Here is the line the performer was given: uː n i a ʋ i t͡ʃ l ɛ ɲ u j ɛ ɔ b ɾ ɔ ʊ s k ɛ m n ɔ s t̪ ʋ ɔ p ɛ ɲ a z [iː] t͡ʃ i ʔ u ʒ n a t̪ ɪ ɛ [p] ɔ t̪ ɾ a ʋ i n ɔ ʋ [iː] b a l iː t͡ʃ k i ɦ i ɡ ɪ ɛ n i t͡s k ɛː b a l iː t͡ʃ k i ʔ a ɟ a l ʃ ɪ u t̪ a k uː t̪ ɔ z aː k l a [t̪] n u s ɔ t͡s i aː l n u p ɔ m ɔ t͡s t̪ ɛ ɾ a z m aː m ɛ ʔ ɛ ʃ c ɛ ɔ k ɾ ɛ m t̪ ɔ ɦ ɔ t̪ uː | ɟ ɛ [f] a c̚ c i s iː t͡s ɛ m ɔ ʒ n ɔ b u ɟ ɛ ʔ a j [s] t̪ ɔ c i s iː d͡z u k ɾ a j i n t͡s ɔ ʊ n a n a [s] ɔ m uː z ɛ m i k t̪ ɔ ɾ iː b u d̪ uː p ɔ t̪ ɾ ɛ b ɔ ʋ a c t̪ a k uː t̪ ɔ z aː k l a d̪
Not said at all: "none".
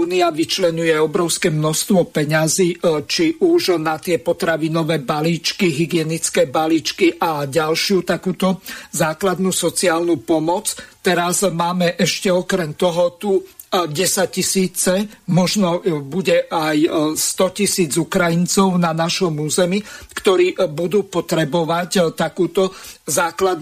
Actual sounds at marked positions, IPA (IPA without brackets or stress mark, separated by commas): iː, p, ɛː, d̪, s, s, ʃ